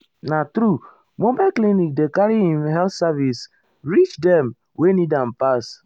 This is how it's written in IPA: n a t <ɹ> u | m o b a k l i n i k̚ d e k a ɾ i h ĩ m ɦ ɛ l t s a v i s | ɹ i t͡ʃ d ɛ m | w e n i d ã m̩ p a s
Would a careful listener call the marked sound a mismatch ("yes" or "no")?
yes